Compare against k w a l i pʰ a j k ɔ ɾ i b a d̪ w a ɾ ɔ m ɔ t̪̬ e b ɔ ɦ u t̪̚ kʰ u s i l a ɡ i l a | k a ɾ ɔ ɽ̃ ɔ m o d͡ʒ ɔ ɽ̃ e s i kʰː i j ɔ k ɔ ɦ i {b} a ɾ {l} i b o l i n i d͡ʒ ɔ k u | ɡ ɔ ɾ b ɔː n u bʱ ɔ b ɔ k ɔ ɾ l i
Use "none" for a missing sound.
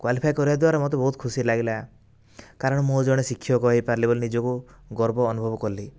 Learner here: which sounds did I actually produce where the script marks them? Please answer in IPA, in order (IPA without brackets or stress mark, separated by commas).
p, l